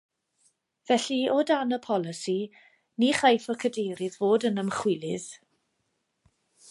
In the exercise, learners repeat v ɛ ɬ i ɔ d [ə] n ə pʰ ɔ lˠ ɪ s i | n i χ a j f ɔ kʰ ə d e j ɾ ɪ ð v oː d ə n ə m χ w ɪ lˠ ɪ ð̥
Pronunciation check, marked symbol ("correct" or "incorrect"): incorrect